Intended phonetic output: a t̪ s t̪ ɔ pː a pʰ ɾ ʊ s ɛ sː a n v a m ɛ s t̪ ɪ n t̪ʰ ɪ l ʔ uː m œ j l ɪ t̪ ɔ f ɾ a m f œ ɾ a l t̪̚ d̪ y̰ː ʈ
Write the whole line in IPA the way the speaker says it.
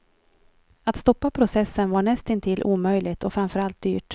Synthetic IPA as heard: a t̪ s t̪ ɔ pː a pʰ ɾ ʊ s ɛ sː ə n v a ɳ ɛ s t̪ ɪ n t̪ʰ ɪ l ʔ uː m œ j l ɪ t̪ ɔ f ɾ a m f œ ɾ a l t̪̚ d̪ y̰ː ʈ